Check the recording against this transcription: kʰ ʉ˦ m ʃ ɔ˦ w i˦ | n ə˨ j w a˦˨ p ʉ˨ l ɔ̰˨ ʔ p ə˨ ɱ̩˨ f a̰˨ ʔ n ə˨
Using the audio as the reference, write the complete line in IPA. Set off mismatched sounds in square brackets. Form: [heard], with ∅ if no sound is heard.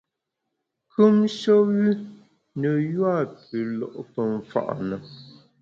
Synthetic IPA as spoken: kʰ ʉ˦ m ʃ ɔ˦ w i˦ | n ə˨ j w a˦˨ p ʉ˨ l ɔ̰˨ ʔ p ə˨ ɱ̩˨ f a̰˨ ʔ n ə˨